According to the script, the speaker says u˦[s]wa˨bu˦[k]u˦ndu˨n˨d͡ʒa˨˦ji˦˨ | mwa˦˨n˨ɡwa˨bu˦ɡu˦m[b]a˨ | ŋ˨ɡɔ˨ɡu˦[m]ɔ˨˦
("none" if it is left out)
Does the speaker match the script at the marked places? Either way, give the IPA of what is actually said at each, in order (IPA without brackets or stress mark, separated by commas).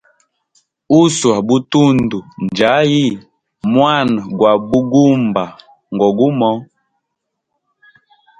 s, t, b, m